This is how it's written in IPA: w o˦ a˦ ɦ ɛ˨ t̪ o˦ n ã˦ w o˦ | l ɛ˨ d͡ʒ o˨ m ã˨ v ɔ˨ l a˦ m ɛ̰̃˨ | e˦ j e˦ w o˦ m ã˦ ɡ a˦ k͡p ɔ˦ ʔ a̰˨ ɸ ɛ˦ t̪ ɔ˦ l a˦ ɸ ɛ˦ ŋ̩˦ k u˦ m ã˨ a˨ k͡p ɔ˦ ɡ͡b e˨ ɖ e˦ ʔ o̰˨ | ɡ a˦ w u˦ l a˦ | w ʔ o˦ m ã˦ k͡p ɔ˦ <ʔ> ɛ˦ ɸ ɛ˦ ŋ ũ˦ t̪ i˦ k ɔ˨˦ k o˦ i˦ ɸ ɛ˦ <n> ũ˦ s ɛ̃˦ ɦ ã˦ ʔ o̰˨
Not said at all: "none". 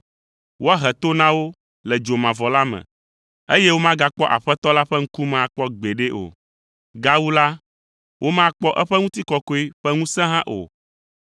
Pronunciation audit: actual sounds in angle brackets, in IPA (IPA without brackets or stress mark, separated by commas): ʔ, ŋ